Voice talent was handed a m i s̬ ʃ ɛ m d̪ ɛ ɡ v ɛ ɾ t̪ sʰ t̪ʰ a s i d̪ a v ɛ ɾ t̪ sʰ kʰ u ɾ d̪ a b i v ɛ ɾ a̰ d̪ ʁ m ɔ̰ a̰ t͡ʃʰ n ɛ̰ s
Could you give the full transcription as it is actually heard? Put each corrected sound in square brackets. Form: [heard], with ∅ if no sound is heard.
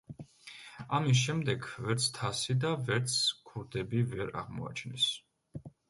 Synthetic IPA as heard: a m i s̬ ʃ ɛ m d̪ ɛ ɡ v ɛ ɾ t̪ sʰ t̪ʰ a s i d̪ a v ɛ ɾ t̪ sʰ kʰ u ɾ d̪ [ɛ] b i v ɛ ɾ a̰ [∅] ʁ m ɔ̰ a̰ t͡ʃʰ n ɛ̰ s